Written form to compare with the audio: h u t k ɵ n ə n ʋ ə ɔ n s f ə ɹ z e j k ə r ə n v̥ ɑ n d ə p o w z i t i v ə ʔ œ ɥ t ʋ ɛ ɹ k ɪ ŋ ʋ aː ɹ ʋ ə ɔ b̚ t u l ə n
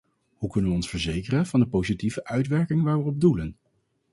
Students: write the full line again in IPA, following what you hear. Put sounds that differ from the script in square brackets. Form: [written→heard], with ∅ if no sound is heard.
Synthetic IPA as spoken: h u [t→∅] k ɵ n ə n ʋ ə ɔ n s f ə ɹ z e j k ə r ə n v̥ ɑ n d ə p o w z i t i v ə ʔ œ ɥ t ʋ ɛ ɹ k ɪ ŋ ʋ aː ɹ ʋ ə ɔ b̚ [t→d] u l ə n